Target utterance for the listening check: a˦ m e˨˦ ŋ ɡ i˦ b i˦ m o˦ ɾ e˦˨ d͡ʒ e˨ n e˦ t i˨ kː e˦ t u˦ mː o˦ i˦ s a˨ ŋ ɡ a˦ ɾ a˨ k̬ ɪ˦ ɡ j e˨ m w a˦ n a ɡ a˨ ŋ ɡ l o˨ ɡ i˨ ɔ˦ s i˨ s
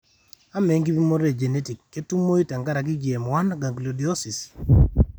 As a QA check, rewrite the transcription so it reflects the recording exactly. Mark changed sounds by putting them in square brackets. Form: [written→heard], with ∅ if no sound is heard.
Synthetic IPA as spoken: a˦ m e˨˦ ŋ ɡ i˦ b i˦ m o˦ ɾ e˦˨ d͡ʒ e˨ n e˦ t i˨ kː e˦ t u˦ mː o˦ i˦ [s→t] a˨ ŋ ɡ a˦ ɾ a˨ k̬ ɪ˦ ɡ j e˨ m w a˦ n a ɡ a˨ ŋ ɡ l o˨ [ɡ→d] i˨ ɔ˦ s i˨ s